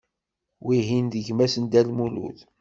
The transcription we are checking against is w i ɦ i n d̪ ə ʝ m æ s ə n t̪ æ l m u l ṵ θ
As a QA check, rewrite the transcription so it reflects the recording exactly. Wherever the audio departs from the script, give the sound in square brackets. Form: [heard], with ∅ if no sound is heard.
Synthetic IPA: w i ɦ i n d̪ ə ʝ m æ s ə n [d̪] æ l m u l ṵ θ